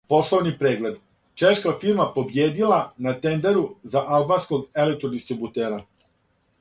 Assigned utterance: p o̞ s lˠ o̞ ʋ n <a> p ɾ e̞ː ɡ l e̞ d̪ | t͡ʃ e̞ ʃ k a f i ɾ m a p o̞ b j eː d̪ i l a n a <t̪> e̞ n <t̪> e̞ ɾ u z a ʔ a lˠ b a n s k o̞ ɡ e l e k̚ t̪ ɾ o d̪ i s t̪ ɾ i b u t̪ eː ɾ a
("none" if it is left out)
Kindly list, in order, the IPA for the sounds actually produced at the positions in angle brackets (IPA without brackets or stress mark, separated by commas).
i, t̪, d̪